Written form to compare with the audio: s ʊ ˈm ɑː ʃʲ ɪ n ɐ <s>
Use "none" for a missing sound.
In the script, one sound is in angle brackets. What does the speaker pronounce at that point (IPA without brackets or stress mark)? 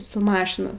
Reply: none